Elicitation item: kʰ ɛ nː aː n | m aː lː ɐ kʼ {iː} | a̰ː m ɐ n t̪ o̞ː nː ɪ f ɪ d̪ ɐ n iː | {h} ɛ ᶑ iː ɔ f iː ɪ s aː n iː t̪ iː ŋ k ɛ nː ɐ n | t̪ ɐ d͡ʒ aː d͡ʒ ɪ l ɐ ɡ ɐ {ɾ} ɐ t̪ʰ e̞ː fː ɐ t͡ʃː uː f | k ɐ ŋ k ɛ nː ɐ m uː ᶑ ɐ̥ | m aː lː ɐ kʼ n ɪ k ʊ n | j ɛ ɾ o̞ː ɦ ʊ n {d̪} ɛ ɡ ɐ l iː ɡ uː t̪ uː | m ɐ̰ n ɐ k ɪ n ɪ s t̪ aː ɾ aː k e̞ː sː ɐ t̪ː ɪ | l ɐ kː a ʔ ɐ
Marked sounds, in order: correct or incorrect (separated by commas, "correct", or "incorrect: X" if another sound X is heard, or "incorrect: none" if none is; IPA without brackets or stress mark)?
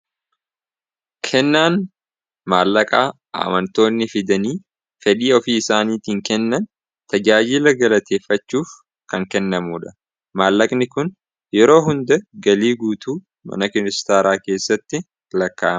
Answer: incorrect: aː, incorrect: f, incorrect: l, correct